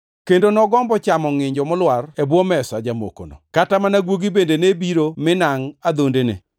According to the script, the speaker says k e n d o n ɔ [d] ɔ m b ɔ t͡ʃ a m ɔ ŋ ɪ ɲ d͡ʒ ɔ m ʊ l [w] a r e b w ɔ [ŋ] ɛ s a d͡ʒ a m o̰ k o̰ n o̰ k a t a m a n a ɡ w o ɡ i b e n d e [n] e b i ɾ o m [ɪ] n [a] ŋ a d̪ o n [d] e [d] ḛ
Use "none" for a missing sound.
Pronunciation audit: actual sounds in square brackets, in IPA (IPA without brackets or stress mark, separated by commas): ɡ, w, m, n, ɪ, a, d, n